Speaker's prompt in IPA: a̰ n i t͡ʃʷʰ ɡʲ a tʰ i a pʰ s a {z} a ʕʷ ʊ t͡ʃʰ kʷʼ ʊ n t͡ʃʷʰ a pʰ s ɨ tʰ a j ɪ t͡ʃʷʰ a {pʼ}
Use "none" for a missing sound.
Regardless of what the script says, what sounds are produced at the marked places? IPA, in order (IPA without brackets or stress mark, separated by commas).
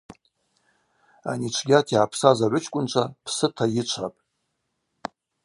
z, pʼ